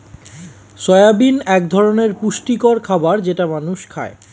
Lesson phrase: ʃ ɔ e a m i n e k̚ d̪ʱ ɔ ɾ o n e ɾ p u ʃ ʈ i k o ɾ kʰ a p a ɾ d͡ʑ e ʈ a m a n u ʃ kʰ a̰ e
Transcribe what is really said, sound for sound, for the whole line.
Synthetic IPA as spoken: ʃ ɔ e a b i n ɛ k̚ d̪ʱ ɔ ɾ o n e ɾ p u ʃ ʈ i k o ɾ kʰ a b a ɾ d͡ʑ e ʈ a m a n u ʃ kʰ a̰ e